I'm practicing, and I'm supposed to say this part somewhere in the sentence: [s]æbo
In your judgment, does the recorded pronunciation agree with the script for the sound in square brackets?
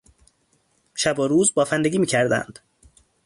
no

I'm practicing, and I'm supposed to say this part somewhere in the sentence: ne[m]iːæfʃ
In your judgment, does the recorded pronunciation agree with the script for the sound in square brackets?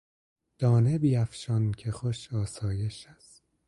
no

